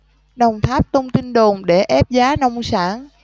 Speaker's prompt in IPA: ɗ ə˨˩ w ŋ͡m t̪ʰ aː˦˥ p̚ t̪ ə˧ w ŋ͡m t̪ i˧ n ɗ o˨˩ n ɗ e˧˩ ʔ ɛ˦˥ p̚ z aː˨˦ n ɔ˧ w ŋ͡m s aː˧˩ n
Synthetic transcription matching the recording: ɗ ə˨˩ w ŋ͡m t̪ʰ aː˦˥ p̚ t̪ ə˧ w ŋ͡m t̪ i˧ n ɗ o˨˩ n ɗ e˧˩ ʔ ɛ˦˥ p̚ z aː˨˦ n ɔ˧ w ŋ͡m s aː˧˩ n